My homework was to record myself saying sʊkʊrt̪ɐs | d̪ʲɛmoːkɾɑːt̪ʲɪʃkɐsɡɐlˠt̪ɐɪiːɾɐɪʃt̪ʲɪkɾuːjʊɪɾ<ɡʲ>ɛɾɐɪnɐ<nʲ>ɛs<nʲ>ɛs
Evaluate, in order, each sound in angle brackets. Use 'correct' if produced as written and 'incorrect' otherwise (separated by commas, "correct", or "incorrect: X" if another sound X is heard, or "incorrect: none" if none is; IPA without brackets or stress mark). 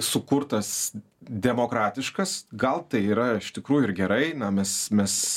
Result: correct, incorrect: mʲ, incorrect: mʲ